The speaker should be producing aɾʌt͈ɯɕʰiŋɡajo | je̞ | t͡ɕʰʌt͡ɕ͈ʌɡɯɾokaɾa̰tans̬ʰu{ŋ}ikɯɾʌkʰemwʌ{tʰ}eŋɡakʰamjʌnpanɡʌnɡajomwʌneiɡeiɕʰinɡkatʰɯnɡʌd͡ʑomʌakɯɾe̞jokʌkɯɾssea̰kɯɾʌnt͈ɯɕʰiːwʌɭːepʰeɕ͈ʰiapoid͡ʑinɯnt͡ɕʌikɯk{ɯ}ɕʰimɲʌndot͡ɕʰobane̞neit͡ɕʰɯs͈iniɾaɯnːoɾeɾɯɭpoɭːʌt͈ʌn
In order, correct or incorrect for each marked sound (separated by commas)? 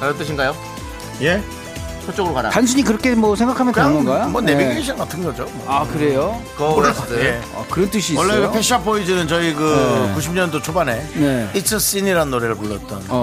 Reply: incorrect, incorrect, incorrect